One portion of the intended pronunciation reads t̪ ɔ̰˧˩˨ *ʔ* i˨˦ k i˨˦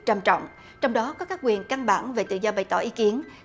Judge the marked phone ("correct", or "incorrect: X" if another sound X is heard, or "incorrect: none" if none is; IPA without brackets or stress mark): correct